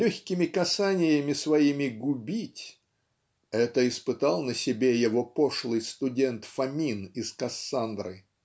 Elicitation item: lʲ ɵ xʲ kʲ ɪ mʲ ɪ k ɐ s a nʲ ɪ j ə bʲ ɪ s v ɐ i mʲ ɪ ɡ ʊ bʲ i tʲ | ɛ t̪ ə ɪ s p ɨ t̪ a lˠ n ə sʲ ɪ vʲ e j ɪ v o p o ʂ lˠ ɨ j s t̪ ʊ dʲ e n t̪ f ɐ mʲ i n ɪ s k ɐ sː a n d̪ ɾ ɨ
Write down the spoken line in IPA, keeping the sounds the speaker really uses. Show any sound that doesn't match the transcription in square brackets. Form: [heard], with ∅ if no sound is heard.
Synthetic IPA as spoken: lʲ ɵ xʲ kʲ ɪ mʲ ɪ k ɐ s a nʲ ɪ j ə [mʲ] ɪ s v ɐ i mʲ ɪ ɡ ʊ bʲ i tʲ | ɛ t̪ ə ɪ s p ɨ t̪ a lˠ n ə sʲ ɪ [bʲ] e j ɪ v o p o ʂ lˠ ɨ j s t̪ ʊ dʲ e n t̪ f ɐ mʲ i n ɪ s k ɐ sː a n d̪ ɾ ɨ